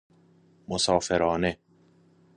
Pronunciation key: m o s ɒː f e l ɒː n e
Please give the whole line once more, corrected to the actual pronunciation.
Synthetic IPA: m o s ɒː f e ɾ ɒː n e